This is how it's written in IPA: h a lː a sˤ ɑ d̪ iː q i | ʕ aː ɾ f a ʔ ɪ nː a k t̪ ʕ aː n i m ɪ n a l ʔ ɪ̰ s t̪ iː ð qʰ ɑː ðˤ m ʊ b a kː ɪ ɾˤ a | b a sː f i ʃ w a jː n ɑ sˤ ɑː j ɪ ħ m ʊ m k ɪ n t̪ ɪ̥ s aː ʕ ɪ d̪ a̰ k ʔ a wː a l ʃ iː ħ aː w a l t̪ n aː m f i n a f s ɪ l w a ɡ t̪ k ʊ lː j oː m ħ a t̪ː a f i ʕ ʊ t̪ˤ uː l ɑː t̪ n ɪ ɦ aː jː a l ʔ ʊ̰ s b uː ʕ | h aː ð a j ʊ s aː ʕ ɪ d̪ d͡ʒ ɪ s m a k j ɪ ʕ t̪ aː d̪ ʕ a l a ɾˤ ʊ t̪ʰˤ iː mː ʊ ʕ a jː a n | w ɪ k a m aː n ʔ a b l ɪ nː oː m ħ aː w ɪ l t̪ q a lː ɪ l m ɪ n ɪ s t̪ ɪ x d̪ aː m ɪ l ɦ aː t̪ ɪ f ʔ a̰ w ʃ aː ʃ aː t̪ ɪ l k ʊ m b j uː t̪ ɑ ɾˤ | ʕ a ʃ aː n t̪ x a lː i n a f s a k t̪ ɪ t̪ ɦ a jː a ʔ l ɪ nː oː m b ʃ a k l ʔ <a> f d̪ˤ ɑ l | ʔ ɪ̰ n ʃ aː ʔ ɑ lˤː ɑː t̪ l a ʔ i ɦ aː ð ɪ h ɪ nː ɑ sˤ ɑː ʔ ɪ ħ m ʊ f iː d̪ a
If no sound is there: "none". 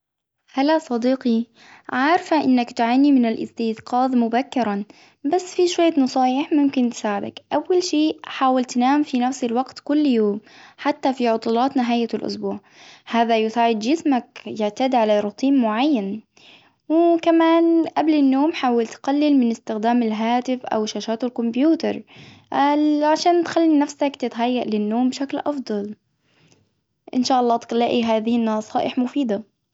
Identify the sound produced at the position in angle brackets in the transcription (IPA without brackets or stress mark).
ɑ